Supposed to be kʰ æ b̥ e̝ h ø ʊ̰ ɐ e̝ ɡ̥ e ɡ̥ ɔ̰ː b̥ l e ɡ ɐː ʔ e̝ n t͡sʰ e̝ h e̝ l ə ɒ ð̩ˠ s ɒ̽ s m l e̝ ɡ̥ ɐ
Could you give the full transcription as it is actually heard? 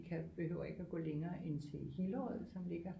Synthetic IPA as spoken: kʰ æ b̥ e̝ h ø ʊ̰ ɐ e̝ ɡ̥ æ ɡ̥ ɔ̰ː l e ŋ ɐː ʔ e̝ n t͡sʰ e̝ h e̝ l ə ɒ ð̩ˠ s ɒ̽ m l e̝ ɡ̥ ɐ

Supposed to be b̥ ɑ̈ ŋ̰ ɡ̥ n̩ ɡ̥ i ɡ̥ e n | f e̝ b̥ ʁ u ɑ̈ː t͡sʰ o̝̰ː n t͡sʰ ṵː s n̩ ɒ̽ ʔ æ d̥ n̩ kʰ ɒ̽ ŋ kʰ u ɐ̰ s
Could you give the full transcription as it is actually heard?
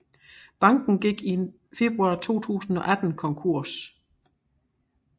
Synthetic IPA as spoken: b̥ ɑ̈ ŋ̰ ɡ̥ n̩ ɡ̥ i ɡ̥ i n | f e̝ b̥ ʁ u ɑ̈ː t͡sʰ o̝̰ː t͡sʰ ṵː s n̩ ɒ̽ ʔ æ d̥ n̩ kʰ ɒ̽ ŋ kʰ u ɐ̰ s

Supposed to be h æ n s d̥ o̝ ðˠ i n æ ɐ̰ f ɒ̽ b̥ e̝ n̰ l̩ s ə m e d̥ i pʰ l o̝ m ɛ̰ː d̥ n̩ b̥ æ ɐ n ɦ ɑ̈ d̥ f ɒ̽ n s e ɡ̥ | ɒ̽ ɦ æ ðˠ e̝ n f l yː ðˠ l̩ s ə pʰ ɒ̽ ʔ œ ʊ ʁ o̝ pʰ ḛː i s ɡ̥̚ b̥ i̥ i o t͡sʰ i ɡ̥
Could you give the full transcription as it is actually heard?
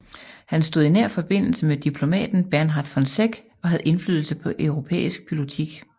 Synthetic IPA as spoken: h æ n s d̥ o̝ ðˠ i n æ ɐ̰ f ɒ̽ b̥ e̝ n̰ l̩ s ə m e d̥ i pʰ l o̝ m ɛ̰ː d̥ n̩ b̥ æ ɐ n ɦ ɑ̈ d̥ f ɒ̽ n s e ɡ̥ | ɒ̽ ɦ æ ðˠ e̝ n f l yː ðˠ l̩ s ə pʰ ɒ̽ ʔ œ ʊ ʁ o̝ pʰ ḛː i s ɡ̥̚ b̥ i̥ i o t͡sʰ i ɡ̥

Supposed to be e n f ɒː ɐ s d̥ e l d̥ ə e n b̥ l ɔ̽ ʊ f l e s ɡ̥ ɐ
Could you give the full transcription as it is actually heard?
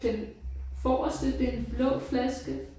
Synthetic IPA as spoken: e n f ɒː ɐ s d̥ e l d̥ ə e n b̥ l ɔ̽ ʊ f l æ s ɡ̥ ə

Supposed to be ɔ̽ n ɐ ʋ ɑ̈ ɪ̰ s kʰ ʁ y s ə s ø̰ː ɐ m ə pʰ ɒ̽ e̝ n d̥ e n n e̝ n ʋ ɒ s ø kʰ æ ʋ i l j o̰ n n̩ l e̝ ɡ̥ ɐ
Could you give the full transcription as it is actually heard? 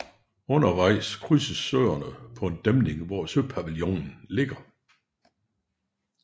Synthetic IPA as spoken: ɔ̽ n ɐ ʋ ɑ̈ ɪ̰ s kʰ ʁ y s ə s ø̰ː ɐ n ə pʰ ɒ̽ e̝ n d̥ e m n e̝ ŋ ʋ ɒ s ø pʰ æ ʋ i l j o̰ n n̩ l e̝ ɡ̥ ɐ

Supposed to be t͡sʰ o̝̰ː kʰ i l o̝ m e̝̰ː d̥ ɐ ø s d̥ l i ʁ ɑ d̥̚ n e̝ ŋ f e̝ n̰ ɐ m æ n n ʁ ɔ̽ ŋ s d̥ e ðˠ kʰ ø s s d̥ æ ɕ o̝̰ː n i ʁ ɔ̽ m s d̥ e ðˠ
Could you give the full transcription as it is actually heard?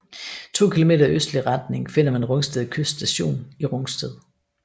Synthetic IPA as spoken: t͡sʰ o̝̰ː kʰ i l o̝ m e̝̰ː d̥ ɐ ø s d̥ l i ʁ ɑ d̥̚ n e̝ ŋ f e̝ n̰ ɐ m æ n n ʁ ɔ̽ ŋ s d̥ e ðˠ kʰ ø s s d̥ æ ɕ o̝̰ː n i ʁ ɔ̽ ŋ s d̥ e ðˠ

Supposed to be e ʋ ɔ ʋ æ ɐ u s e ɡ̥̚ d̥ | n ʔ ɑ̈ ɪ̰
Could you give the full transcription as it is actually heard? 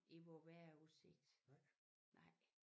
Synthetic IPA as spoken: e ʋ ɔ ʋ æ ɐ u s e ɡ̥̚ d̥ | n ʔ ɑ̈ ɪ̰

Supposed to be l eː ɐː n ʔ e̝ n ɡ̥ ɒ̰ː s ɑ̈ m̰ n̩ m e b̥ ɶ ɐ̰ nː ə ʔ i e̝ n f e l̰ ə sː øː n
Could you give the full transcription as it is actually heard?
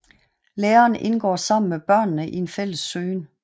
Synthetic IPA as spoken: l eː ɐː n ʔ e̝ n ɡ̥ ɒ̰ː s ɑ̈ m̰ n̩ m e b̥ ɶ ɐ̰ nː ə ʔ i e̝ n f e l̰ ə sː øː n

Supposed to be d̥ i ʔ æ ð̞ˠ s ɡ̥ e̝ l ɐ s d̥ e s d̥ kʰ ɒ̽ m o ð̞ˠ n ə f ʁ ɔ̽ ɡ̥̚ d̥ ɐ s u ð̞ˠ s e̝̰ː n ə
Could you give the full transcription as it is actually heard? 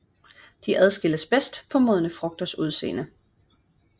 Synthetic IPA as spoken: d̥ i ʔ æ ð̞ˠ s ɡ̥ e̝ l ə s b̥ e s d̥ pʰ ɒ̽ m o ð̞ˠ n ə f ʁ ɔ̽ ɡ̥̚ d̥ ɐ s u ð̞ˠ s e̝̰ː n ə

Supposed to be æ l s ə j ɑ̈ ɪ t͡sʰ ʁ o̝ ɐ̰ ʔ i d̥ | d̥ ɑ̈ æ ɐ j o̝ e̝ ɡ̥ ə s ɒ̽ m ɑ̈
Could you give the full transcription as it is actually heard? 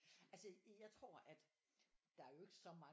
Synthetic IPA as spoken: æ l s ə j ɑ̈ ɪ t͡sʰ ʁ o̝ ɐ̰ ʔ æ d̥ | d̥ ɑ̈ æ ɐ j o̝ e̝ ɡ̥ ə s ɒ̽ m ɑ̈

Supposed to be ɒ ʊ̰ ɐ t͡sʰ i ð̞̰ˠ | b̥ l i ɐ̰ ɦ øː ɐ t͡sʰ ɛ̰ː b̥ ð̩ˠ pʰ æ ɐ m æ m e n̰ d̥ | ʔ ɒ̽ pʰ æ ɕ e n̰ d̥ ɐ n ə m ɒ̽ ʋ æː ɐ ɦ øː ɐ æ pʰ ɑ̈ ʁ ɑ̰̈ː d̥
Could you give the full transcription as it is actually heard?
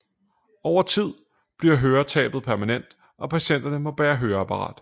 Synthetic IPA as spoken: ɒ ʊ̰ ɐ t͡sʰ i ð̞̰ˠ | b̥ l i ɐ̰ ɦ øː ɐ t͡sʰ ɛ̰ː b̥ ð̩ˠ pʰ æ ɐ m æ n e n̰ d̥ | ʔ ɒ̽ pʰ æ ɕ e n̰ d̥ ɐ n ə m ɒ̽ ʋ æː ɐ ɦ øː ɐ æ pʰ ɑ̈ ʁ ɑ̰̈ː d̥

